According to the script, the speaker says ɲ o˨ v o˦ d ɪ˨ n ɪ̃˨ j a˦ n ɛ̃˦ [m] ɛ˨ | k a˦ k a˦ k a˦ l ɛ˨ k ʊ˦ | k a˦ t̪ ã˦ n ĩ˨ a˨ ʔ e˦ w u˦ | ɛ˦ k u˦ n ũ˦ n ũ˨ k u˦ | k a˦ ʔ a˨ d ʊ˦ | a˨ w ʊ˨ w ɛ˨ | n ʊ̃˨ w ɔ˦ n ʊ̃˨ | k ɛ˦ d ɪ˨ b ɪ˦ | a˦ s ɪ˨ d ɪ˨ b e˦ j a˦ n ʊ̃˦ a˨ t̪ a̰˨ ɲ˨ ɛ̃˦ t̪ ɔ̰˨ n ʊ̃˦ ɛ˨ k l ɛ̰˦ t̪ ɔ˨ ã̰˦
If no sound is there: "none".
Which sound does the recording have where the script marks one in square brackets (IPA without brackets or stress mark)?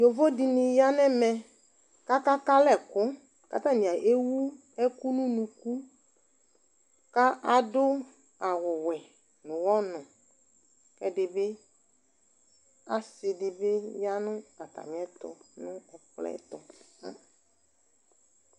m